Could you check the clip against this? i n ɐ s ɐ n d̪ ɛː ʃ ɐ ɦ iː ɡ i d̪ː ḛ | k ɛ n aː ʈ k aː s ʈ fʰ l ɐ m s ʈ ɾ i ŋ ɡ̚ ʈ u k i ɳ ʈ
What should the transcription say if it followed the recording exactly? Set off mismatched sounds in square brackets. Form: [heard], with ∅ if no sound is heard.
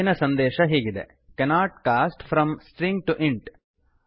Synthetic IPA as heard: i n ɐ s ɐ n d̪ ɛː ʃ ɐ ɦ iː ɡ i [d̪] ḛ | k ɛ n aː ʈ k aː s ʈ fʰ [ɾ] ɐ m s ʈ ɾ i ŋ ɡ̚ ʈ u [ʔ] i ɳ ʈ